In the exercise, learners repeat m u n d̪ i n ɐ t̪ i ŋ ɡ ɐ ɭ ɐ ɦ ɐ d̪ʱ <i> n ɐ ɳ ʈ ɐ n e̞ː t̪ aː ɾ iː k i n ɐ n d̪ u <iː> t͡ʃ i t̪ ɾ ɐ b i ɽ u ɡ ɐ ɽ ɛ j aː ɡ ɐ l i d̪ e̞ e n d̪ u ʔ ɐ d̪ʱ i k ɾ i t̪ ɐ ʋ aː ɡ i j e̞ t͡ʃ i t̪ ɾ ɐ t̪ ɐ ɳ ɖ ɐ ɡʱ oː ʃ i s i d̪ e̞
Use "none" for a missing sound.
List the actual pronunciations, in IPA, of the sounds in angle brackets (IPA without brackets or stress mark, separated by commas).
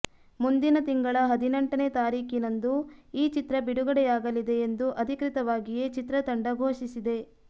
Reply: i, iː